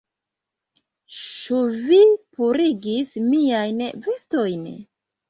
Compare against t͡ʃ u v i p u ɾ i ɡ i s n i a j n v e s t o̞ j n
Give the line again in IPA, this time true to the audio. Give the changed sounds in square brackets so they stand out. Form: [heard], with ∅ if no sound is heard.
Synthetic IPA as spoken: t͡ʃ u v i p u ɾ i ɡ i s [m] i a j n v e s t o̞ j n